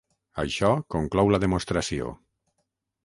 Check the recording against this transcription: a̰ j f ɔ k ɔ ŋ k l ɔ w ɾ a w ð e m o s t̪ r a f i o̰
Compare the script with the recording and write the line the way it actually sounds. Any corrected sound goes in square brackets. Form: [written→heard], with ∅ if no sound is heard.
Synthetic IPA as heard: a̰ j [f→ʃ] ɔ k [ɔ→o] ŋ k l ɔ w [ɾ→l] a [w→∅] ð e m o s t̪ [r→ɾ] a [f→s] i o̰

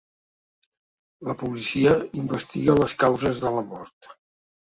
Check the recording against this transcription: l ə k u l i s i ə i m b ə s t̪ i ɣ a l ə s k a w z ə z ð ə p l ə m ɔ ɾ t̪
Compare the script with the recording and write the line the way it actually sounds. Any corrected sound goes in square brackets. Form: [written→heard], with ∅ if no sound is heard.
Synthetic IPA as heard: l ə [k→p] u l i s i ə i m b ə s t̪ i ɣ [a→ə] l ə s k a w z ə z ð ə [p→∅] l ə m ɔ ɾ t̪

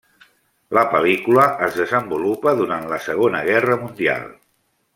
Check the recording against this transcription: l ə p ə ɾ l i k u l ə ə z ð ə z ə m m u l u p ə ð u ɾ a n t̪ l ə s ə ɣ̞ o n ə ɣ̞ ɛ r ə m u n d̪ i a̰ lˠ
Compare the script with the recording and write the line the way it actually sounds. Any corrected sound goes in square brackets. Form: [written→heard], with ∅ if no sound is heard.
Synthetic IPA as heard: l ə p ə [ɾ→∅] l i k u l ə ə z ð ə z ə m [m→b] u l u p ə ð u ɾ a n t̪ l ə s ə ɣ̞ o n ə ɣ̞ ɛ r ə m u n d̪ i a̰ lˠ

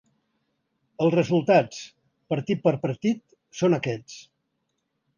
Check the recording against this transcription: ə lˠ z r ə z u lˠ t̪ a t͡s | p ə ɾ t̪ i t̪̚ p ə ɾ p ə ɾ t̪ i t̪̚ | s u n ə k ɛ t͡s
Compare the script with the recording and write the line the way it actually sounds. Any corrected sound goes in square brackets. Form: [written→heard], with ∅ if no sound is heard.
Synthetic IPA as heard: ə lˠ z r ə z u lˠ t̪ a t͡s | p ə ɾ t̪ i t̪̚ p ə ɾ p ə ɾ t̪ i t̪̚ | s [u→o] n ə k ɛ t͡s

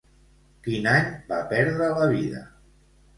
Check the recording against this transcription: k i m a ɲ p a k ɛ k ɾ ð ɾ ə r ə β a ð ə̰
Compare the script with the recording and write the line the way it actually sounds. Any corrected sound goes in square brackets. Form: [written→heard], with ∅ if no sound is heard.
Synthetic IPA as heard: k i [m→n] a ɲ [p→b] a [k→p] ɛ [k→∅] ɾ ð ɾ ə [r→l] ə β [a→i] ð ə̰

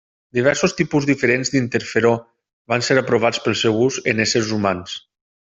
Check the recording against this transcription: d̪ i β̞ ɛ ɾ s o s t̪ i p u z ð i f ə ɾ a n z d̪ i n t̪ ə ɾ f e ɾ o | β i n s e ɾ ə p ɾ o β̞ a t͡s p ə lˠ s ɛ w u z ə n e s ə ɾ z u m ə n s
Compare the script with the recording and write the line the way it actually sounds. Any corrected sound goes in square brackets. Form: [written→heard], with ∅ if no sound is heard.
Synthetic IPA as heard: d̪ i β̞ ɛ ɾ s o s t̪ i p u z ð i f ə ɾ [a→e] n z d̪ i n t̪ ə ɾ f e ɾ o | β [i→a] n s e ɾ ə p ɾ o β̞ a t͡s p ə lˠ s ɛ w u z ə n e s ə ɾ z u m [ə→a] n s

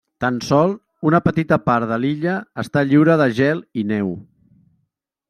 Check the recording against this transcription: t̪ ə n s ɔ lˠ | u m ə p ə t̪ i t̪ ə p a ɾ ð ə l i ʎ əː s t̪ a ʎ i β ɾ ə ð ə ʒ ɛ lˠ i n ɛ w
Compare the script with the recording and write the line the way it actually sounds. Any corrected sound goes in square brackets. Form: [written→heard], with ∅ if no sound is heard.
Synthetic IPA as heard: t̪ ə n s ɔ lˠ | u [m→n] ə p ə t̪ i t̪ ə p a ɾ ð ə l i ʎ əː s t̪ a ʎ i [β→w] ɾ ə ð ə ʒ ɛ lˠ i n ɛ w

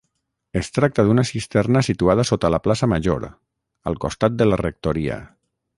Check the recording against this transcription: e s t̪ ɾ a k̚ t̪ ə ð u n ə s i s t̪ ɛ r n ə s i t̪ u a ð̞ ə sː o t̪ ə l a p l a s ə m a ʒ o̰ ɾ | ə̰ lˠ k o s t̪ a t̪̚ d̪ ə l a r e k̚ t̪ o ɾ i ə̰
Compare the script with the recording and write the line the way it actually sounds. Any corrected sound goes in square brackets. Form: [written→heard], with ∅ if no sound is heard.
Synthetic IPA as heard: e s t̪ ɾ a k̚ t̪ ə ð u n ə s i s t̪ ɛ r n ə s i t̪ u a ð̞ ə [sː→s] o t̪ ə l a p l a s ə m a ʒ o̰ ɾ | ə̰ lˠ k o s t̪ a t̪̚ d̪ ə l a r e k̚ t̪ o ɾ i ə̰

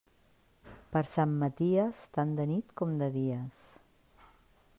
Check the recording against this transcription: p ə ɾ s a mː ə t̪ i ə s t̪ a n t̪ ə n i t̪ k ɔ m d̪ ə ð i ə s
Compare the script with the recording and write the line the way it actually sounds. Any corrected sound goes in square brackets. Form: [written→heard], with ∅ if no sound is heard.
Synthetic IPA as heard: p ə ɾ s a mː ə t̪ i ə s t̪ a n [t̪→d̪] ə n i t̪ k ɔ m d̪ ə ð i ə s

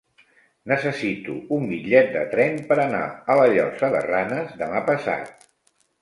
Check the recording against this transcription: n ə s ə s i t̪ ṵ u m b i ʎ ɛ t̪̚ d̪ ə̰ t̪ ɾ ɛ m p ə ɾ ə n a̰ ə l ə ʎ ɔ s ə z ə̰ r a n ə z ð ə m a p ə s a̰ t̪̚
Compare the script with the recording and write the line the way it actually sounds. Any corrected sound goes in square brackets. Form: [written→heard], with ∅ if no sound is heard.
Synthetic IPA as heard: n ə s ə s i t̪ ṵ u m b i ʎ ɛ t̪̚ d̪ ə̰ t̪ ɾ ɛ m p ə ɾ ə n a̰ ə l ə ʎ ɔ s ə [z→ð] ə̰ r a n ə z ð ə m a p ə s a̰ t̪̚

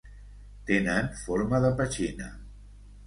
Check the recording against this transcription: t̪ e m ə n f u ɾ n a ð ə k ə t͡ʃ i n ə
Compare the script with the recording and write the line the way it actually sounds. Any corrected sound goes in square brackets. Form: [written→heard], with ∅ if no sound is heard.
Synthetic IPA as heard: t̪ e [m→n] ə n f [u→o] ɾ [n→m] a ð ə [k→p] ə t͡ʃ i n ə

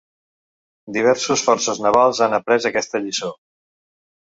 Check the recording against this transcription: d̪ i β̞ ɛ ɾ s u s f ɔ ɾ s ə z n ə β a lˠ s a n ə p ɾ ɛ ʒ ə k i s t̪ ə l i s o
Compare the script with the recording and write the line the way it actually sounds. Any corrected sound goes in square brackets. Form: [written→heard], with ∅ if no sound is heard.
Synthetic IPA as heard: d̪ i β̞ ɛ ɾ s u s f ɔ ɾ s ə z n ə β a lˠ [s→z] a n ə p ɾ ɛ [ʒ→z] ə k [i→ɛ] s t̪ ə [l→ʎ] i s o

